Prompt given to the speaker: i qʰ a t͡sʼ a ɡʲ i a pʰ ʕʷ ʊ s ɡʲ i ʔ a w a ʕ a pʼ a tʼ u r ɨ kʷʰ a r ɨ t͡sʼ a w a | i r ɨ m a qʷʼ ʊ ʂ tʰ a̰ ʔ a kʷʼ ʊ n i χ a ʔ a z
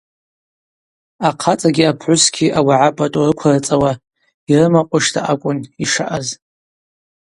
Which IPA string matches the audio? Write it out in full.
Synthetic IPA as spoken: a qʰ a t͡sʼ a ɡʲ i a pʰ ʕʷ ʊ s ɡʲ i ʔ a w a ʕ a pʼ a tʼ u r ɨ kʷʰ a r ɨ t͡sʼ a w a | i r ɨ m a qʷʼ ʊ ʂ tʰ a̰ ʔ a kʷʼ ʊ n i ʂ a ʔ a z